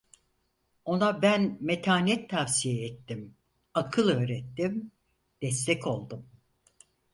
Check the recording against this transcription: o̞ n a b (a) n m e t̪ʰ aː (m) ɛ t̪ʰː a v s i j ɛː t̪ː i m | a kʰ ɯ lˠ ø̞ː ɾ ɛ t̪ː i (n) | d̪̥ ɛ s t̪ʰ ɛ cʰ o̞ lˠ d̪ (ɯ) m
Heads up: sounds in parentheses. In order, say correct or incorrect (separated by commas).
incorrect, incorrect, incorrect, incorrect